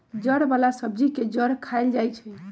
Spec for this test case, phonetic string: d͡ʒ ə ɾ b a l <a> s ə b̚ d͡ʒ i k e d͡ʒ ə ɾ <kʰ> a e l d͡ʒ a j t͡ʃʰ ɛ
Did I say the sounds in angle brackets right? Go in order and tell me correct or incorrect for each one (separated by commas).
correct, correct